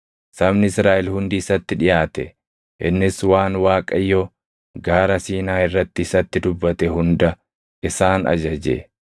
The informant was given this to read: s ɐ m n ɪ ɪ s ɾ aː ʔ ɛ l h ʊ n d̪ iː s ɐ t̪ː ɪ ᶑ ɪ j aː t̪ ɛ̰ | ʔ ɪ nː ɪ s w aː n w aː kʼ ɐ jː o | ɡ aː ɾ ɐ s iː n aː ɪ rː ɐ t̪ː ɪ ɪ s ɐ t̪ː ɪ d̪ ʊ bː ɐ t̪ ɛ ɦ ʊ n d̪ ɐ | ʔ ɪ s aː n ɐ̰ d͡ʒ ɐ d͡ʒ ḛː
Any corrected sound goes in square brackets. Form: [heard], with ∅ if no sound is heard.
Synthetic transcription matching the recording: s ɐ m n ɪ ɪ s ɾ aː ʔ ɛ l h ʊ n d̪ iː s ɐ t̪ː ɪ ᶑ ɪ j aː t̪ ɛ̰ | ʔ ɪ nː ɪ s w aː n w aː kʼ ɐ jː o | ɡ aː ɾ ɐ s iː n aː ɪ rː ɐ t̪ː ɪ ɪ s ɐ t̪ː ɪ d̪ ʊ bː ɐ t̪ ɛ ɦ ʊ n d̪ ɐ | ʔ ɪ s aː n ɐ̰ d͡ʒ ɐ d͡ʒ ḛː